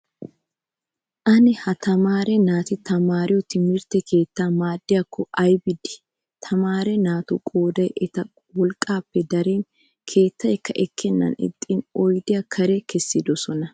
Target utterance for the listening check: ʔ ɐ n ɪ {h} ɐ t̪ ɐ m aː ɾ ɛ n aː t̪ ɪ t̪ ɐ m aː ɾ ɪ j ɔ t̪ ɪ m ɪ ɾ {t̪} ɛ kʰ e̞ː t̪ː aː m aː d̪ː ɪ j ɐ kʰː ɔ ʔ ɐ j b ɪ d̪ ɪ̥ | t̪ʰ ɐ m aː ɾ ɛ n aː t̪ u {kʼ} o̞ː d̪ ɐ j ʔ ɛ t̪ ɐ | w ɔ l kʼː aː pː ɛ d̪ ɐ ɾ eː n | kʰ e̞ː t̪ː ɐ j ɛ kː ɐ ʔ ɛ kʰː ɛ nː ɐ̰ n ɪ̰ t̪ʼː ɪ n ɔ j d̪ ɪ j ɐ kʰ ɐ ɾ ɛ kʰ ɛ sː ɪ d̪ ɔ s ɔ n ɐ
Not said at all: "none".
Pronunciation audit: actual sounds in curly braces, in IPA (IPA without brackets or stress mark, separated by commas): h, t̪, kʼ